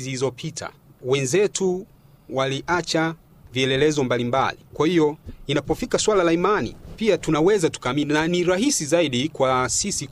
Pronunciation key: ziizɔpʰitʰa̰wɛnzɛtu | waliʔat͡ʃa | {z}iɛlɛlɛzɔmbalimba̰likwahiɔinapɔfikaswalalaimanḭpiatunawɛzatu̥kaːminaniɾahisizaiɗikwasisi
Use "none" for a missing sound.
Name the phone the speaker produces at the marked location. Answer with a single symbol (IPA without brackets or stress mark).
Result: v